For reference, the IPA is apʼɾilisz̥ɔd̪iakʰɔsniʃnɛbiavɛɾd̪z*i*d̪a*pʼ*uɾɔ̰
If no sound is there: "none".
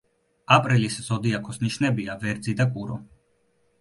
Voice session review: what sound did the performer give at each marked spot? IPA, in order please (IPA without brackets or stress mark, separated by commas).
i, kʼ